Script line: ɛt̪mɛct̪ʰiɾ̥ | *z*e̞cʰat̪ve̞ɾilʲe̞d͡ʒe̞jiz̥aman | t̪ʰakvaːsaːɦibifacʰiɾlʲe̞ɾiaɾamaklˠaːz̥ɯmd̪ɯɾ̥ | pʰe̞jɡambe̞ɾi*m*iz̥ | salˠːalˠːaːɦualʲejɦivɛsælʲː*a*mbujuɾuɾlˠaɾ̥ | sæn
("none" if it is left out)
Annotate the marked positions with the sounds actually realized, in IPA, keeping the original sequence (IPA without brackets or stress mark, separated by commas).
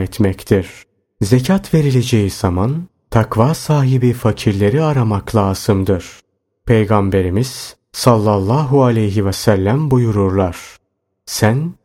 z, m, æ